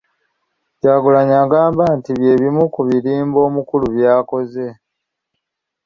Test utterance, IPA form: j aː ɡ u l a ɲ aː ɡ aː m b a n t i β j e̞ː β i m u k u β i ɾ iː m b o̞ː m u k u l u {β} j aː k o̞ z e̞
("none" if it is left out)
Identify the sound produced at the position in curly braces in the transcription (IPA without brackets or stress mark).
β